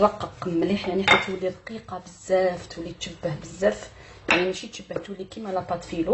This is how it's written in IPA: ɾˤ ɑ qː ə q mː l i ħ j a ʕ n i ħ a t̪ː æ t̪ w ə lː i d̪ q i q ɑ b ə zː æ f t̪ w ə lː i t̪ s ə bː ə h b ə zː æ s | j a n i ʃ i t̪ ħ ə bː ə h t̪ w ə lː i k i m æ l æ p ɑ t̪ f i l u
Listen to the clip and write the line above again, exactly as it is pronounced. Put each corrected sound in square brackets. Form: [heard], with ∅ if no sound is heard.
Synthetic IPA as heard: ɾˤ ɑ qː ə q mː l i ħ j a ʕ n i ħ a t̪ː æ t̪ w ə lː i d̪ q i q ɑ b ə zː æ f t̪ w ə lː i t̪ [ʃ] ə bː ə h b ə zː æ [f] | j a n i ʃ i t̪ [ʃ] ə bː ə h t̪ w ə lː i k i m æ l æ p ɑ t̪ f i l u